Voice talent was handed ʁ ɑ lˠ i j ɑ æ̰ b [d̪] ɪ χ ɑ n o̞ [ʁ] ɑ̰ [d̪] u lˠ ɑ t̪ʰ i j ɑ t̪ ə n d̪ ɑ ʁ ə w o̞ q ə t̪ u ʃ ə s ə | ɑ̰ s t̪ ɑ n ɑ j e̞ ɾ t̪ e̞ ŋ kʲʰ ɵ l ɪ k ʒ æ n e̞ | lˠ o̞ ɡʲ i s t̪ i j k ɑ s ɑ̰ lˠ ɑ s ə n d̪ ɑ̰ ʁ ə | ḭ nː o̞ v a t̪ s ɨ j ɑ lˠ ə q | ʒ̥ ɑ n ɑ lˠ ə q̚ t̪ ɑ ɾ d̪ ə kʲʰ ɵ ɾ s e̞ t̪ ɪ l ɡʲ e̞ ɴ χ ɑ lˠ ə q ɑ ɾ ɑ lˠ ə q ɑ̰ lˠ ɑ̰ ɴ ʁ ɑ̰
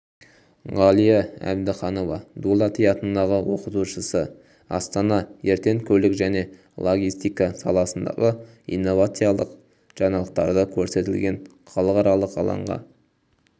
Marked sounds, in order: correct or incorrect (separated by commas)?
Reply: correct, incorrect, correct